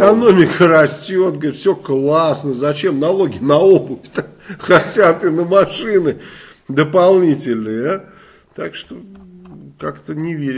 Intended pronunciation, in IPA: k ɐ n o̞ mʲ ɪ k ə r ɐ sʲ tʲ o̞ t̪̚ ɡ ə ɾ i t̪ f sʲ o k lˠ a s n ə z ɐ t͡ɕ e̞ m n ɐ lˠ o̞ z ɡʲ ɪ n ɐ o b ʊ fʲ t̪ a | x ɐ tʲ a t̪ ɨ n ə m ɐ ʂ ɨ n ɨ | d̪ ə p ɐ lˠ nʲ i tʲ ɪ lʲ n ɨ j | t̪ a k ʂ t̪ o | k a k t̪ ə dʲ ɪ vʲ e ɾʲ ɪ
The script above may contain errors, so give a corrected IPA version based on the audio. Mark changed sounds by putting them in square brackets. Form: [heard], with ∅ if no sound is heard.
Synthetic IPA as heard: k ɐ n o̞ mʲ ɪ k ə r ɐ sʲ tʲ o̞ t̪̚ ɡ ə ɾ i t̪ f sʲ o k lˠ a s n ə z ɐ t͡ɕ e̞ m n ɐ lˠ o̞ [∅] ɡʲ ɪ n ɐ o b ʊ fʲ t̪ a | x ɐ tʲ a t̪ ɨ n ə m ɐ ʂ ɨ n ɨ | d̪ ə p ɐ lˠ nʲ i tʲ ɪ lʲ n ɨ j | t̪ a k ʂ t̪ o | k a k t̪ ə [nʲ] ɪ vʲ e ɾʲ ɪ